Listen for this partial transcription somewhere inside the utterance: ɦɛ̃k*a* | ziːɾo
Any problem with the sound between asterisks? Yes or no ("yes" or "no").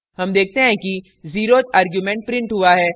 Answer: yes